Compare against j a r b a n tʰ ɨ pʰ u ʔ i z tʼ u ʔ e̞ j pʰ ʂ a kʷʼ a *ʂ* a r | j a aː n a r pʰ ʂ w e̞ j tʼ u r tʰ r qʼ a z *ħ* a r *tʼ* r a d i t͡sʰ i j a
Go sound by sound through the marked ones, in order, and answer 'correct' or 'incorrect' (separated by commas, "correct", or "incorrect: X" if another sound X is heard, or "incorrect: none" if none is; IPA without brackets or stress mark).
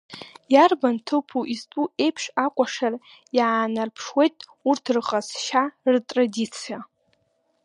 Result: correct, incorrect: ʃ, correct